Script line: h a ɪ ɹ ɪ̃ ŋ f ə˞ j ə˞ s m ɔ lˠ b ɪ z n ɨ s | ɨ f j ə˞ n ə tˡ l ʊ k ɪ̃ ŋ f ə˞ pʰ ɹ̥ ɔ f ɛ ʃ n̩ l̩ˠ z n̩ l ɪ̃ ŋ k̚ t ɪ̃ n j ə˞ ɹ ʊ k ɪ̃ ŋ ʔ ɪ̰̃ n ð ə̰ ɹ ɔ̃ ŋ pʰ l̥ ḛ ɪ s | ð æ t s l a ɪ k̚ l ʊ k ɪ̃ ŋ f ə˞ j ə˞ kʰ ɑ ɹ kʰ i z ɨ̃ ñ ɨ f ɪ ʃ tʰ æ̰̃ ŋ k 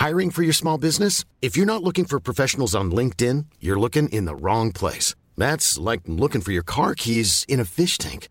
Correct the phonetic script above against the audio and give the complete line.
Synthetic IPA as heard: h a ɪ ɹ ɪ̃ ŋ f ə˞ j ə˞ s m ɔ lˠ b ɪ z n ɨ s | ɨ f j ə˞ n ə tˡ l ʊ k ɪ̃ ŋ f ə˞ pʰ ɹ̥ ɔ f ɛ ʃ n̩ l̩ˠ z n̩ l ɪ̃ ŋ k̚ t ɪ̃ n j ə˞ l ʊ k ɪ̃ ŋ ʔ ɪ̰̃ n ð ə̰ ɹ ɔ̃ ŋ pʰ l̥ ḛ ɪ s | ð æ t s l a ɪ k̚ l ʊ k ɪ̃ ŋ f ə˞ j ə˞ kʰ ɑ ɹ kʰ i z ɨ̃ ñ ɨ f ɪ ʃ tʰ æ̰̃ ŋ k